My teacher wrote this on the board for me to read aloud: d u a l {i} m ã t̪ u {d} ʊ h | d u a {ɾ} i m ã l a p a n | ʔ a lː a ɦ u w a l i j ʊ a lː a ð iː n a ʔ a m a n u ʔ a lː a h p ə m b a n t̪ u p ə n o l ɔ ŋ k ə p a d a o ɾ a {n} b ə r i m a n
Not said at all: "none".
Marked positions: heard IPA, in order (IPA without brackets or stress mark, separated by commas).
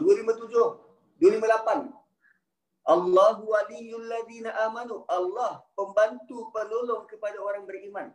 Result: i, d͡ʒ, l, ŋ